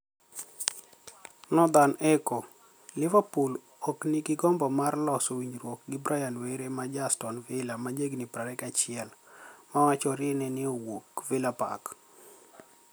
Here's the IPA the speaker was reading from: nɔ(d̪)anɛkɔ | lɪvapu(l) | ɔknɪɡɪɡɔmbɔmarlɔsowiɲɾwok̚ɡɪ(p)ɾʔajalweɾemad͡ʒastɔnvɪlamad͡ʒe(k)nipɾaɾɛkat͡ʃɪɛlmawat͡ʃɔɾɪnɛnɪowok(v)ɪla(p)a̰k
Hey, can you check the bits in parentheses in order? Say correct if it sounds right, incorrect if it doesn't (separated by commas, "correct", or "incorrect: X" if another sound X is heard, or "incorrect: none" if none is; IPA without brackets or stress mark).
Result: correct, correct, incorrect: b, incorrect: ɡ, correct, correct